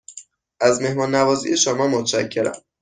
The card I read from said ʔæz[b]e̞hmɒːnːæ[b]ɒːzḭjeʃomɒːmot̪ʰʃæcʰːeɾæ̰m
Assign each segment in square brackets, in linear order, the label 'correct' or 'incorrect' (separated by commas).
incorrect, incorrect